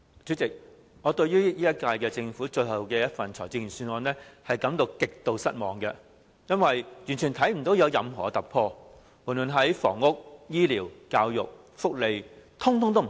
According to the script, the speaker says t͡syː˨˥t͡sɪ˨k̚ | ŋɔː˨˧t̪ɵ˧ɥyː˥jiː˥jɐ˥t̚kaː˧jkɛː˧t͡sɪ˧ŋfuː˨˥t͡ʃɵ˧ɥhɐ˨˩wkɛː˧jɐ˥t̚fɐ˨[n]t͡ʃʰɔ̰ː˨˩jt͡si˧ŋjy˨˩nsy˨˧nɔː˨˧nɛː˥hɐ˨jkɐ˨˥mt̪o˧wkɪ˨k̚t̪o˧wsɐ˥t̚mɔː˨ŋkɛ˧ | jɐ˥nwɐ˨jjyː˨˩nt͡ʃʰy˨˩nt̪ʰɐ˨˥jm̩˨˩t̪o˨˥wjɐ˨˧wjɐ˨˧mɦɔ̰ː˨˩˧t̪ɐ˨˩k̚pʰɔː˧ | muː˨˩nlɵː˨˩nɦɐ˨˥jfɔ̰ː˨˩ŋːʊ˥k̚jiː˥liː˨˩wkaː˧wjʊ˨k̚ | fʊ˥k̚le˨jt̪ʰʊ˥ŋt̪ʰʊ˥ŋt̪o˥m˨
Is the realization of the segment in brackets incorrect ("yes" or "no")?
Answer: no